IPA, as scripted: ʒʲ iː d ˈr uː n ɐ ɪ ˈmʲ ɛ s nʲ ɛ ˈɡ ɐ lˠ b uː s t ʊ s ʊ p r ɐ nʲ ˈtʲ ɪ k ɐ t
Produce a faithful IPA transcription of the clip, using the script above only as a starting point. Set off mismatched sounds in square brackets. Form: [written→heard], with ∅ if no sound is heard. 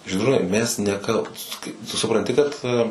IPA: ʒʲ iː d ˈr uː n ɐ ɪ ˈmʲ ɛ s nʲ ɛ [ˈɡ→ˈk] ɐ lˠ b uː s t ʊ s ʊ p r ɐ nʲ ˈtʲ ɪ k ɐ t